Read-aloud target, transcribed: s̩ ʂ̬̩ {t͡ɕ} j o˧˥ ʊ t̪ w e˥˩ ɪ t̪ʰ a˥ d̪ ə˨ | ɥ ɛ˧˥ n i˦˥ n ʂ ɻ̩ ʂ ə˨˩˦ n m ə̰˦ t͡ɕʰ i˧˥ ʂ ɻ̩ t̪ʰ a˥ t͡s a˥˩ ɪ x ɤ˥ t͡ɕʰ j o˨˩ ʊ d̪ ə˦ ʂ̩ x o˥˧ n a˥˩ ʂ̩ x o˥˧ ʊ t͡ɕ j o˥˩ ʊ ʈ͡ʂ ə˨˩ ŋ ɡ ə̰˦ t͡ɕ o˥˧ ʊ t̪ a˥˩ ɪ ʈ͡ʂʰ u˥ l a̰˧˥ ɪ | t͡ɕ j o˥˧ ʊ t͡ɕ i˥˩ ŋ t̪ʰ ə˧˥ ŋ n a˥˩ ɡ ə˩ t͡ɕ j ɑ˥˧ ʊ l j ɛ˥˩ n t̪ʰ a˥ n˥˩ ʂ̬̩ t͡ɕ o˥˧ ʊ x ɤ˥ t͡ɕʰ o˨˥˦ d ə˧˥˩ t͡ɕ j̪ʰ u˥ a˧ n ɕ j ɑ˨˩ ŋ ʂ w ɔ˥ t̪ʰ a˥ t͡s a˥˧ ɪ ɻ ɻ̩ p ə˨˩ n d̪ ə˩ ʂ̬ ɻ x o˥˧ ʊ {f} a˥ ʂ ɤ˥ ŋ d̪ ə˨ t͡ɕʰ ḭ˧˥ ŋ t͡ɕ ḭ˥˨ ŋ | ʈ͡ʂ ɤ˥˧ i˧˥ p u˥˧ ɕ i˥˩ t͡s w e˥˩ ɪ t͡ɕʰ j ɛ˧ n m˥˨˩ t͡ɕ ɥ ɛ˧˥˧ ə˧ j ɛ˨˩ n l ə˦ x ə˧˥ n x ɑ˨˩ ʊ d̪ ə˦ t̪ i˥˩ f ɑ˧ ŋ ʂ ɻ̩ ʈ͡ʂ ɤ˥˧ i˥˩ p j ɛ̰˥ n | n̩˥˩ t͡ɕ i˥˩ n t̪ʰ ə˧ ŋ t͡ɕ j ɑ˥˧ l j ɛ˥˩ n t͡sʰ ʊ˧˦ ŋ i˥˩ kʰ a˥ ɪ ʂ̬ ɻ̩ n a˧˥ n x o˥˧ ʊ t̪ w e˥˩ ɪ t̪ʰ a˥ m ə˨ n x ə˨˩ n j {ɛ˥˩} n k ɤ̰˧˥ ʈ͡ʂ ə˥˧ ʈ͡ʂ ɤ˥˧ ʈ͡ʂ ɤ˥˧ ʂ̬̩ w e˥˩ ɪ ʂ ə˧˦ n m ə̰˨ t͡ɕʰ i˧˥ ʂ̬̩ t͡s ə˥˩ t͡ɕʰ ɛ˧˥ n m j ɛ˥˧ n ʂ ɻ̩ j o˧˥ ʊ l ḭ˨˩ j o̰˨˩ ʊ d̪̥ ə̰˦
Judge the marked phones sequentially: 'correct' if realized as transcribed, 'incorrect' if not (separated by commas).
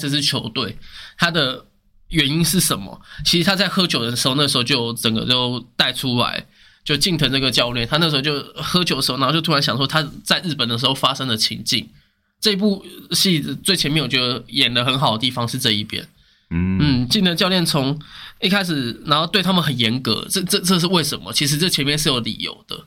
incorrect, correct, incorrect